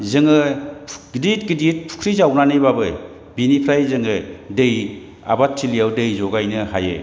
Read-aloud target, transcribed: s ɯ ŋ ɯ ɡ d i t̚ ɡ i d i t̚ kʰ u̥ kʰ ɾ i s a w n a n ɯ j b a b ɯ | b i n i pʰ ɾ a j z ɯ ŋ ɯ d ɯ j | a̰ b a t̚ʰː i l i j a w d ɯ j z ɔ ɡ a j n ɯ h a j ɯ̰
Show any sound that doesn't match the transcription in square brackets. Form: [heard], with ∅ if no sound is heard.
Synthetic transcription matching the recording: [z] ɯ ŋ ɯ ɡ d i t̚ ɡ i d i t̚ [pʰ] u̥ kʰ ɾ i [z] a w n a n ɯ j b a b ɯ | b i n i pʰ ɾ a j z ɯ ŋ ɯ d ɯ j | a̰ b a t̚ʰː i l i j a w d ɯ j z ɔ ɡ a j n ɯ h a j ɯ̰